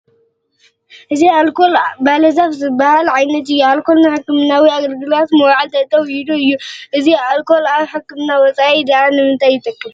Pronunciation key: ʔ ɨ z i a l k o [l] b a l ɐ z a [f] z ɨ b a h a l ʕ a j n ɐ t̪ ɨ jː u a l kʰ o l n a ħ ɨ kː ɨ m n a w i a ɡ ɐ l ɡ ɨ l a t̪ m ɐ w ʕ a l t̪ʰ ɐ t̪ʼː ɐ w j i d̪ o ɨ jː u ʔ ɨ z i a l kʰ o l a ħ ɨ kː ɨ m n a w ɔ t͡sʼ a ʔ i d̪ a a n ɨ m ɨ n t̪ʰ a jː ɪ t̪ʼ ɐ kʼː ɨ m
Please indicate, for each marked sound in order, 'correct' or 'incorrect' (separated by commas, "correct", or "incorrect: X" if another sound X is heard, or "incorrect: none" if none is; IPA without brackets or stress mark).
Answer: correct, correct